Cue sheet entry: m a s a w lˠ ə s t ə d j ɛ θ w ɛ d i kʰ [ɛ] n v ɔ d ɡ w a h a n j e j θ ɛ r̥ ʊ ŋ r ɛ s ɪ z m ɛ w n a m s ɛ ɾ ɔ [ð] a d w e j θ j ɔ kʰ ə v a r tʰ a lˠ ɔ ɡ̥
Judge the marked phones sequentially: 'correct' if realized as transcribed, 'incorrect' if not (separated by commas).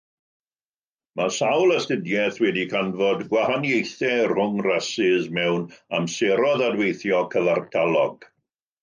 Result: incorrect, correct